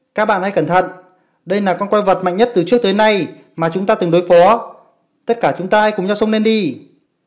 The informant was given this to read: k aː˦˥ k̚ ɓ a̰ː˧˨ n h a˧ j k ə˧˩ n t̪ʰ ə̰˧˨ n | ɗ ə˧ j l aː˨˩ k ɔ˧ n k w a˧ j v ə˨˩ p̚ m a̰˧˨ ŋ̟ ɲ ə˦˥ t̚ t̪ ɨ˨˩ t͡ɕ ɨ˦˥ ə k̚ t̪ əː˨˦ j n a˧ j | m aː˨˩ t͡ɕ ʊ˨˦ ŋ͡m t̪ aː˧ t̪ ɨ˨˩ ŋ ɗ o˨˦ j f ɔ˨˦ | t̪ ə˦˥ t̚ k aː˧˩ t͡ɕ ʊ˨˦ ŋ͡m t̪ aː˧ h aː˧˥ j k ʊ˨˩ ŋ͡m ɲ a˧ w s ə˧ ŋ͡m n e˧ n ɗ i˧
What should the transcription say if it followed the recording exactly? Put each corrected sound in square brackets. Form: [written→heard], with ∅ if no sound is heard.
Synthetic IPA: k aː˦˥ k̚ ɓ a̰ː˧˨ n h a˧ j k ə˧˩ n t̪ʰ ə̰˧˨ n | ɗ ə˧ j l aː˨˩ k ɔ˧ n k w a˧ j v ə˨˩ [p̚→t̚] m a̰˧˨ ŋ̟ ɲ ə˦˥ t̚ t̪ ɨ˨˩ t͡ɕ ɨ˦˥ ə k̚ t̪ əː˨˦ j n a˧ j | m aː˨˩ t͡ɕ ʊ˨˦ ŋ͡m t̪ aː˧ t̪ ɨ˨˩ ŋ ɗ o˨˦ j f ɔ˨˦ | t̪ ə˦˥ t̚ k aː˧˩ t͡ɕ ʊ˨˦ ŋ͡m t̪ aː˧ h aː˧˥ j k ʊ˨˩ ŋ͡m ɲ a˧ w s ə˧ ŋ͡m n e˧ n ɗ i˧

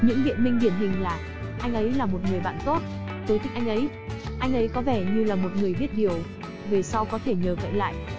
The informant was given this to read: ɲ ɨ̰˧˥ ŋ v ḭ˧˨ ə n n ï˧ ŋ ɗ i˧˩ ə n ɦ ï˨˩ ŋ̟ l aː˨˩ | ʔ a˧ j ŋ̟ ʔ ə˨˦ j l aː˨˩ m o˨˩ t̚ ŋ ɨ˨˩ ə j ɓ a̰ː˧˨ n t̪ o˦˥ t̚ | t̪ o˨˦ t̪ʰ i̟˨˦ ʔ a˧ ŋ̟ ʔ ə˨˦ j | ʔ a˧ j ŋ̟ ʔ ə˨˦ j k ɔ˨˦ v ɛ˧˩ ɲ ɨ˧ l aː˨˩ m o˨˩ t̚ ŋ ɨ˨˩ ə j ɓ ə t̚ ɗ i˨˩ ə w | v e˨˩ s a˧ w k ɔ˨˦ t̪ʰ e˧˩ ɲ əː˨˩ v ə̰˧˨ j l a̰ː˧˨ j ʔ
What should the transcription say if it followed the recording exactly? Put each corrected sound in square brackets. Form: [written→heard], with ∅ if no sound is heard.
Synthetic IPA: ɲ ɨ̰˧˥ ŋ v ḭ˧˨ ə n [n→m] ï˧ ŋ ɗ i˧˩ ə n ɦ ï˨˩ ŋ̟ l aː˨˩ | ʔ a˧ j ŋ̟ ʔ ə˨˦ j l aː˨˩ m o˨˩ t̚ ŋ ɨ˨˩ ə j ɓ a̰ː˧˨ n t̪ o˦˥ t̚ | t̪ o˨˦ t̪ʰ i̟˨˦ ʔ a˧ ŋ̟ ʔ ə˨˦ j | ʔ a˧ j ŋ̟ ʔ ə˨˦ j k ɔ˨˦ v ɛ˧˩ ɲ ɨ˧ l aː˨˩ m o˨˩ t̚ ŋ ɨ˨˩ ə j ɓ ə t̚ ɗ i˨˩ ə w | v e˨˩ s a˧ w k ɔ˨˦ t̪ʰ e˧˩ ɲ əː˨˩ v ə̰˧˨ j l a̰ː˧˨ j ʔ

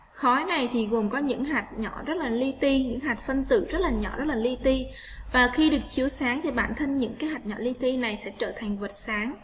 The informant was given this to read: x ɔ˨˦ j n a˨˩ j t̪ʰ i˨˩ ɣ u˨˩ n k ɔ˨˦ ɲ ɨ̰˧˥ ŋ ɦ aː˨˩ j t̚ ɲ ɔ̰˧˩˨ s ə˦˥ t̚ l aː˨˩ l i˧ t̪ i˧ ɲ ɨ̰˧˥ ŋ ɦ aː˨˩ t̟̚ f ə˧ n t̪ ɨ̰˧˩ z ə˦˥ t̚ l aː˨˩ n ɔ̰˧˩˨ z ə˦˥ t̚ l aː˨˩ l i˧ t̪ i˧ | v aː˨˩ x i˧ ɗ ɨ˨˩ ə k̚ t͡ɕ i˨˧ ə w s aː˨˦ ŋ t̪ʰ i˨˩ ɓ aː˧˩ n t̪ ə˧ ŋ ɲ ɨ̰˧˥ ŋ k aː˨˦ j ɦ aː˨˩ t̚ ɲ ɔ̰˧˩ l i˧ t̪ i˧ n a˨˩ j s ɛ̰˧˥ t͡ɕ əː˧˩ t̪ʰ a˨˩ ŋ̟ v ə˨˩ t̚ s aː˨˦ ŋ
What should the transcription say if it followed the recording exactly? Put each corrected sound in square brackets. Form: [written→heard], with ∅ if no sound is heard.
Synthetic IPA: x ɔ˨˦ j n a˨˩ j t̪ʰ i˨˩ ɣ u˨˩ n k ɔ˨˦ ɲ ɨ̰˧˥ ŋ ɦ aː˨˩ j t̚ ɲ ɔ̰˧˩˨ [s→z] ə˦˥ t̚ l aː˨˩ l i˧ t̪ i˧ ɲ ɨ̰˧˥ ŋ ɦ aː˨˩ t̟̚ f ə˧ n t̪ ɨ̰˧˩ z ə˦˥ t̚ l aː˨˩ [n→ɲ] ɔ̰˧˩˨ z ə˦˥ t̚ l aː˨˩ l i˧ t̪ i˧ | v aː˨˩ x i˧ ɗ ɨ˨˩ ə k̚ t͡ɕ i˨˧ ə w s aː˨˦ ŋ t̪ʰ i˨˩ ɓ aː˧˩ n [t̪→t̪ʰ] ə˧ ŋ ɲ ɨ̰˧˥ ŋ k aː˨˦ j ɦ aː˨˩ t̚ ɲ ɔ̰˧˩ l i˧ t̪ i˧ n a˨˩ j s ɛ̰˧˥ t͡ɕ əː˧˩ t̪ʰ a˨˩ ŋ̟ v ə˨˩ t̚ s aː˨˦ ŋ

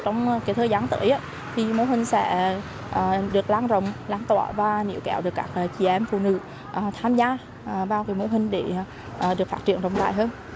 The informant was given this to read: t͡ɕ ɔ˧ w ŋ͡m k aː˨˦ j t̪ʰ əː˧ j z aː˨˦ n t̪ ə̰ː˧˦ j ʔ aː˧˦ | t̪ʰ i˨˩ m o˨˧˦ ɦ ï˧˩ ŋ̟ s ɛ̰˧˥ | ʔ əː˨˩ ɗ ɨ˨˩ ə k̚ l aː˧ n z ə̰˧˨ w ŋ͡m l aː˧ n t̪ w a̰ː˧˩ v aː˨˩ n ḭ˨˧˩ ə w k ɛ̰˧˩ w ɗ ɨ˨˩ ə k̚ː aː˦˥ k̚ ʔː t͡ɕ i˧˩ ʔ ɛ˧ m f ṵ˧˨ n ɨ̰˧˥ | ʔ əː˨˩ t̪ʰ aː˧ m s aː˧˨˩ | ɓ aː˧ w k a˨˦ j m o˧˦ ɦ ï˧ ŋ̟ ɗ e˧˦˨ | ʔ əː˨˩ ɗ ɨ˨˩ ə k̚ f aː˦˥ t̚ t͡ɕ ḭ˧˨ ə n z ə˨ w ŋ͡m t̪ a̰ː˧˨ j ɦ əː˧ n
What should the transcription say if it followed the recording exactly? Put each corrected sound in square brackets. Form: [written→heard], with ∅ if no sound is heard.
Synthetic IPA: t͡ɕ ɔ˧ w ŋ͡m k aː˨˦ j t̪ʰ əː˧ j z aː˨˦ n t̪ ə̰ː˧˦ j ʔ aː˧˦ | t̪ʰ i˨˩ m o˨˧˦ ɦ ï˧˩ ŋ̟ s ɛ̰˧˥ | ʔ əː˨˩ ɗ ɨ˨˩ ə k̚ l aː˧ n z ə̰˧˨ w ŋ͡m l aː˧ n t̪ w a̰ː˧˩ v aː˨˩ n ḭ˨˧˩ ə w k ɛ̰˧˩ w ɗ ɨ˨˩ ə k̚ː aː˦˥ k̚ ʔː t͡ɕ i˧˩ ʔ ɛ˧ m f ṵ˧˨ n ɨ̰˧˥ | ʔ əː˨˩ t̪ʰ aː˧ m [s→z] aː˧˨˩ | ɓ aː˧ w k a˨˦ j m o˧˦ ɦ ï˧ ŋ̟ ɗ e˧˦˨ | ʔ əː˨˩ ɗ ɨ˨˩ ə k̚ f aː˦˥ t̚ t͡ɕ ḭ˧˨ ə n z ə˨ w ŋ͡m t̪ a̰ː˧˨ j ɦ əː˧ n

